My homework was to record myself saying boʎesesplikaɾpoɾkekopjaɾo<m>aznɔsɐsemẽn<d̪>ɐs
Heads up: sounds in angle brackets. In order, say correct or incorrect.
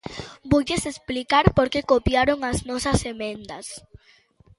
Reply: incorrect: ŋ, correct

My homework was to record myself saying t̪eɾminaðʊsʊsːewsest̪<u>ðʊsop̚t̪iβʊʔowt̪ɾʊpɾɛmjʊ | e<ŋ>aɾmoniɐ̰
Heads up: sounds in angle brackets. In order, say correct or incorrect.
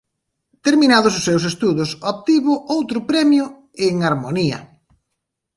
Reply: correct, correct

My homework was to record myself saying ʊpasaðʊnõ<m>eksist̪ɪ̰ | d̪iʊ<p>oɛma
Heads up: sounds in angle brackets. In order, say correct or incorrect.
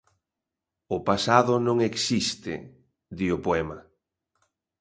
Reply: incorrect: ŋ, correct

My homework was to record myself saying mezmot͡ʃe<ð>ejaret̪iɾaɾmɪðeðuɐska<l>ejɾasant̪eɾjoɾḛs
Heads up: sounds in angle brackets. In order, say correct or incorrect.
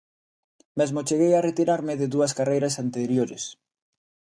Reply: incorrect: ɣ, incorrect: r

